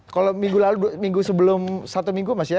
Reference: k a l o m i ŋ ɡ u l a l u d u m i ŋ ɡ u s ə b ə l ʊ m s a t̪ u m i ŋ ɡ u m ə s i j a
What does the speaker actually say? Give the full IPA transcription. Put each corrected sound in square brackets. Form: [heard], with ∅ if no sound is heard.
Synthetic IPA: k a l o m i ŋ ɡ u l a l u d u m i ŋ ɡ u s ə b ə l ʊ m s a t̪ u m i ŋ ɡ u m [a] s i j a